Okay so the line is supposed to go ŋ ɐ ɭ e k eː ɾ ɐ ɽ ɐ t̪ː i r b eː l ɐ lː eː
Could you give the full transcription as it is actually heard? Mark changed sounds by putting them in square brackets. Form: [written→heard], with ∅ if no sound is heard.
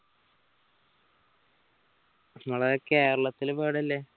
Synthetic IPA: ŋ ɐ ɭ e k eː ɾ ɐ [ɽ→ɭ] ɐ t̪ː i [r→l] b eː [l→ɽ] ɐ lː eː